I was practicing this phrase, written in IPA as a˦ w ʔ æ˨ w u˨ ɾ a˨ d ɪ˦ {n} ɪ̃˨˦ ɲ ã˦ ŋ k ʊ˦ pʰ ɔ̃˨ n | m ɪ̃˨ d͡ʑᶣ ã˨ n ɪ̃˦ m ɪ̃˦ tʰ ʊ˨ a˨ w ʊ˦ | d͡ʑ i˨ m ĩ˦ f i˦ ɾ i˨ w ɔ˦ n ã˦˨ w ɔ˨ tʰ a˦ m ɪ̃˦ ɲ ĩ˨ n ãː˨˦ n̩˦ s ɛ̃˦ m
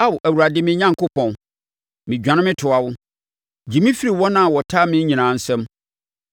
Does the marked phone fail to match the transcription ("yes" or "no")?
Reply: yes